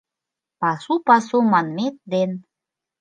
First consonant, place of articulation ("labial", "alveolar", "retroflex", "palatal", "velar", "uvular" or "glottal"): labial